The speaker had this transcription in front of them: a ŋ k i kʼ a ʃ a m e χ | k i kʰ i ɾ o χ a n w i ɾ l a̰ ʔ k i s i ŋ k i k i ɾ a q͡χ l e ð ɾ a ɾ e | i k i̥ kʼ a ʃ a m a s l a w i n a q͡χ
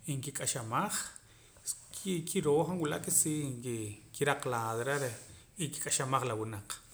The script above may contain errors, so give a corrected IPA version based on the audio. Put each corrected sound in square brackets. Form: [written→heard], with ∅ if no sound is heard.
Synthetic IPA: [a→i] ŋ k i kʼ a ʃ a m [e→a] χ | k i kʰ i ɾ o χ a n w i [ɾ→∅] l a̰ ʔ k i s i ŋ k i k i ɾ a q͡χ l [e→a] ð ɾ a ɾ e | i k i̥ kʼ a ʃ a m a [s→χ] l a w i n a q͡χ